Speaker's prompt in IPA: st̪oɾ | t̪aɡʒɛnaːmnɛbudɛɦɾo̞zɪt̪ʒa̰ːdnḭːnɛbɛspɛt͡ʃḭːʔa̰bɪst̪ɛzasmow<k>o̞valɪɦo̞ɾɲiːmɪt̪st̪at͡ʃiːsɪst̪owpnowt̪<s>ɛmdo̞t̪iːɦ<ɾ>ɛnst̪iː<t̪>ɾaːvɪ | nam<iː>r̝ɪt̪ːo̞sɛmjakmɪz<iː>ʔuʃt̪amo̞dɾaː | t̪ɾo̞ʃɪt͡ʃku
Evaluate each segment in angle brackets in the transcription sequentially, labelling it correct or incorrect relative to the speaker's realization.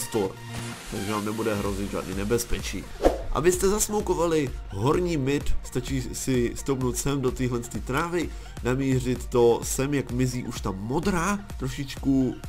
correct, correct, incorrect: l, correct, correct, correct

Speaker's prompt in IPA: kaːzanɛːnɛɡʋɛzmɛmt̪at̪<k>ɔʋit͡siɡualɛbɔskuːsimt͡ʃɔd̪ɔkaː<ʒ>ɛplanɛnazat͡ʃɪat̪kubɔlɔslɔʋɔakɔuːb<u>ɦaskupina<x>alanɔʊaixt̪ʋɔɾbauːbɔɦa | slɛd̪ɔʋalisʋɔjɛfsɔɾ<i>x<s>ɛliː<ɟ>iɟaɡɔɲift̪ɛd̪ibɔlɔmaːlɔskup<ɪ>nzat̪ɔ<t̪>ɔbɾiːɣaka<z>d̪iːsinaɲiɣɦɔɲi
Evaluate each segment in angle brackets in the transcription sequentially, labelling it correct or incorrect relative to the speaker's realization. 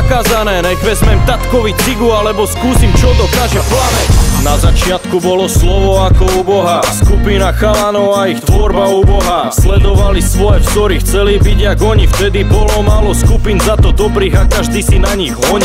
correct, correct, incorrect: ɔ, correct, correct, incorrect: t͡s, incorrect: b, incorrect: i, incorrect: d̪, incorrect: ʒ

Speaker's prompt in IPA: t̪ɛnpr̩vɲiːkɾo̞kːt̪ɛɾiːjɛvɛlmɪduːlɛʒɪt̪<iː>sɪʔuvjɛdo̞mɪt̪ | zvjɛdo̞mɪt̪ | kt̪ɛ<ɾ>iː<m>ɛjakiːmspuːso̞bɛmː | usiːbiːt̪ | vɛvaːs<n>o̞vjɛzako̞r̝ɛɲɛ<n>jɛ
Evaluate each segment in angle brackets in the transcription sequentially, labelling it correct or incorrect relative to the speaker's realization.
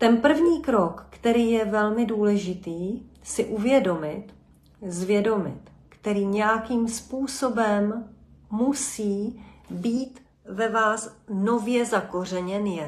correct, correct, incorrect: ɲ, correct, correct

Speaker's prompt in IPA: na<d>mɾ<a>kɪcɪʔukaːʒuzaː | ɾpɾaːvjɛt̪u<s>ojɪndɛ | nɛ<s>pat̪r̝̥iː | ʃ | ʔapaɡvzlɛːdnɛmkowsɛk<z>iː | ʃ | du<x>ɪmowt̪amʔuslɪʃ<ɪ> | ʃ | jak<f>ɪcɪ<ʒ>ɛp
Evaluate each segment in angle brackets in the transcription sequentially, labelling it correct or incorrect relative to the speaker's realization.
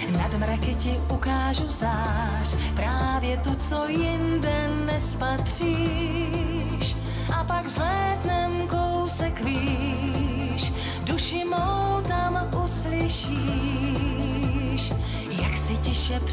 correct, correct, incorrect: t͡s, correct, incorrect: v, incorrect: ʃ, incorrect: i, incorrect: s, incorrect: ʃ

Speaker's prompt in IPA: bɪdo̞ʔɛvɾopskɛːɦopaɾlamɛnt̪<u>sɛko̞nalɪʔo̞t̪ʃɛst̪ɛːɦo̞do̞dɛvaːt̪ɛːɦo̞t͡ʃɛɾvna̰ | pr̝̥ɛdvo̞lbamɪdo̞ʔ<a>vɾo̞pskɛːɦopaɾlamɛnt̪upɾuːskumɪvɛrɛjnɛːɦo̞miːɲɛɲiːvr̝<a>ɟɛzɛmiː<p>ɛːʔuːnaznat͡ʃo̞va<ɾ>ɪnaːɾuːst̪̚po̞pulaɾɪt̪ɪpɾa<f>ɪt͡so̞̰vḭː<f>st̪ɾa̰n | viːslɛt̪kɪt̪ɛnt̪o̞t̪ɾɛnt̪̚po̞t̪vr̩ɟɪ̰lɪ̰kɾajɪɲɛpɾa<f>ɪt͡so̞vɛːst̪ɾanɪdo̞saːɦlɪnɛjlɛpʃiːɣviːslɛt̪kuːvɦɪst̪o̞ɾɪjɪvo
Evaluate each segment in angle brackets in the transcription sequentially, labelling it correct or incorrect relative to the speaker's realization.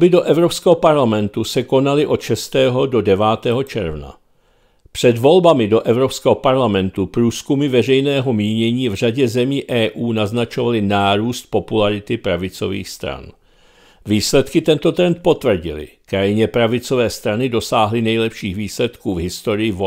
correct, incorrect: ɛ, correct, incorrect: ʔ, incorrect: l, incorrect: v, incorrect: x, incorrect: v

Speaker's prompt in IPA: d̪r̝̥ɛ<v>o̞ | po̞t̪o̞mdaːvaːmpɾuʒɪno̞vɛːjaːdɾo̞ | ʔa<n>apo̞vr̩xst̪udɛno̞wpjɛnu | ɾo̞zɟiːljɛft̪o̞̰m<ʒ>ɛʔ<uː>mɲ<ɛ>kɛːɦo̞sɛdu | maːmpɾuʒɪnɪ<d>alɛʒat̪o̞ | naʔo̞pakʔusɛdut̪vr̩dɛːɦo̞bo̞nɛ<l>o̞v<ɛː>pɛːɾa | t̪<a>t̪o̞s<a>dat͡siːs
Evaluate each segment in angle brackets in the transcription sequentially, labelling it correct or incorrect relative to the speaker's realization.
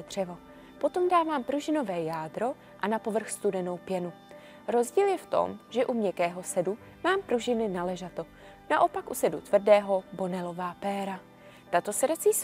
correct, correct, correct, incorrect: u, correct, incorrect: n, correct, incorrect: aː, correct, incorrect: ɛ

